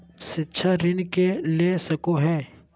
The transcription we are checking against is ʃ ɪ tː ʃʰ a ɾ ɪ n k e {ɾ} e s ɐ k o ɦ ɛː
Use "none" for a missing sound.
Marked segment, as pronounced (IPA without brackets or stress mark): l